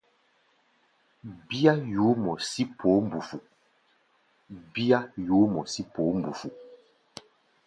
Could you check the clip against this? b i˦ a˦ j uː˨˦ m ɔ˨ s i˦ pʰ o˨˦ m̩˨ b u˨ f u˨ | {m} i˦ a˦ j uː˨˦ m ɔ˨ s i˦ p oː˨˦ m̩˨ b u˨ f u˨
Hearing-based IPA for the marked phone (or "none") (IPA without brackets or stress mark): b